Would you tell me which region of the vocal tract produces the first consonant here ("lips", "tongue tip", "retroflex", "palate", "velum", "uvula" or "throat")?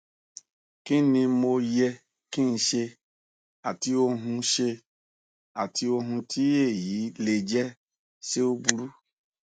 velum